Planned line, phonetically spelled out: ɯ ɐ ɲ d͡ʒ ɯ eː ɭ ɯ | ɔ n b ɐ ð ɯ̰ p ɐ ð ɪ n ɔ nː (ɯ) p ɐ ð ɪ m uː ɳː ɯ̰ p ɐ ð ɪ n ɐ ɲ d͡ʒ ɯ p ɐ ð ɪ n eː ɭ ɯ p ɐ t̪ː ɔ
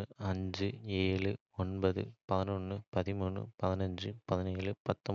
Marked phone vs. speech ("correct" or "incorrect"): correct